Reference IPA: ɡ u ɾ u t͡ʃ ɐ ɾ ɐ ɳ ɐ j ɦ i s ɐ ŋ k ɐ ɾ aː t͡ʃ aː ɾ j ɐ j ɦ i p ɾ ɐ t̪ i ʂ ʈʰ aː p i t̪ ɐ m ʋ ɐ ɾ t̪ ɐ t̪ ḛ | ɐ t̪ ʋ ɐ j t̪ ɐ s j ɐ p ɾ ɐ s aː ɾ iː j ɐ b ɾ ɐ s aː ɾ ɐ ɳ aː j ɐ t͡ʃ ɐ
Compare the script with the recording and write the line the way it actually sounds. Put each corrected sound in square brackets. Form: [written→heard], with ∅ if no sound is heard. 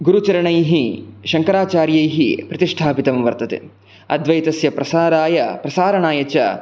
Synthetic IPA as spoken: ɡ u ɾ u t͡ʃ ɐ ɾ ɐ ɳ ɐ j ɦ i [s→ʃ] ɐ ŋ k ɐ ɾ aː t͡ʃ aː ɾ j ɐ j ɦ i p ɾ ɐ t̪ i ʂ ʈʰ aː p i t̪ ɐ m ʋ ɐ ɾ t̪ ɐ t̪ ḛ | ɐ [t̪→d̪] ʋ ɐ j t̪ ɐ s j ɐ p ɾ ɐ s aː ɾ [iː→aː] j ɐ [b→p] ɾ ɐ s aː ɾ ɐ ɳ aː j ɐ t͡ʃ ɐ